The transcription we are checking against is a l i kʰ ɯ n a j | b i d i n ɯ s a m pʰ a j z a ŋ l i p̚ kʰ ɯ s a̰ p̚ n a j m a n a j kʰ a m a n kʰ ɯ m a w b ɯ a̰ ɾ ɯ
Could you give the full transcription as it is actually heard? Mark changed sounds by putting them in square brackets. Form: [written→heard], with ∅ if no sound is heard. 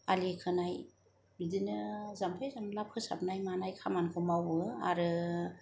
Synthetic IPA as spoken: a l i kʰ ɯ n a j | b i d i n ɯ [s→z] a m pʰ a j z a [ŋ→m] l [i→a] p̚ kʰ ɯ s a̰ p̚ n a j m a n a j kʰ a m a n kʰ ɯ m a w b ɯ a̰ ɾ ɯ